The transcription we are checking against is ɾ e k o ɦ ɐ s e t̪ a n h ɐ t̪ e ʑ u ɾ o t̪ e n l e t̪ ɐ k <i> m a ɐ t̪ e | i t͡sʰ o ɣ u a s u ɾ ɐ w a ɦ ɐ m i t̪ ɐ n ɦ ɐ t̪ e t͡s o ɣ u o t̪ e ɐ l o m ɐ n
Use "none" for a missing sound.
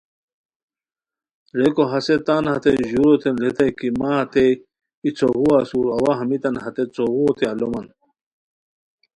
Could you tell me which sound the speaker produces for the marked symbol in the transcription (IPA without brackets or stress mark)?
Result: i